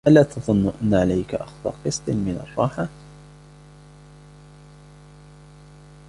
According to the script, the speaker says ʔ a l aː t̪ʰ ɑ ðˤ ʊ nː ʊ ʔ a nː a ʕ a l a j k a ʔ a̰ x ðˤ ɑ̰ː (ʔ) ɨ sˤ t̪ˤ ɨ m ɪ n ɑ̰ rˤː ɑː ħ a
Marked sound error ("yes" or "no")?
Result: yes